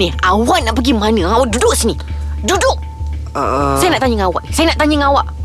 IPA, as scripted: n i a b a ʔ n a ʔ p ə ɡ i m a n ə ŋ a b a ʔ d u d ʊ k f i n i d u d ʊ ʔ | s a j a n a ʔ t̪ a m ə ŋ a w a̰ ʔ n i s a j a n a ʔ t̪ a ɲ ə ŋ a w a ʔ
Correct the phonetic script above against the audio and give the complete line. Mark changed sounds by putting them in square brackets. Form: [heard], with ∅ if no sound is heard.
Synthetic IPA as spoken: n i a [w] a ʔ n a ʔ p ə ɡ i m a n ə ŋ a [w] a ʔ d u d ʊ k [s] i n i d u d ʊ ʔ | s a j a n a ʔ t̪ a [ɲ] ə ŋ a w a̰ ʔ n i s a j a n a ʔ t̪ a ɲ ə ŋ a w a ʔ